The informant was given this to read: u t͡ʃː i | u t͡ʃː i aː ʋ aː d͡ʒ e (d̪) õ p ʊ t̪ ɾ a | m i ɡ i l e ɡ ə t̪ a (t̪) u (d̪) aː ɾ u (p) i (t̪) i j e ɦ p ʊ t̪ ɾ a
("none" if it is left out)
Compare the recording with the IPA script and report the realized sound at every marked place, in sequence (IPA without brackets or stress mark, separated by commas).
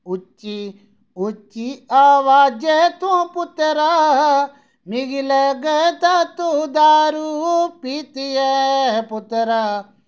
t̪, t̪, d̪, p, t̪